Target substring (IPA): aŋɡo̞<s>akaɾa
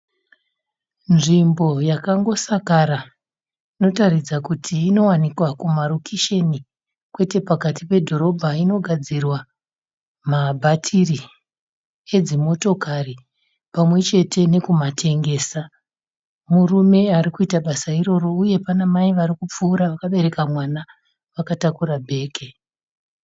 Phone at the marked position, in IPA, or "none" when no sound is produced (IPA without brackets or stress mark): s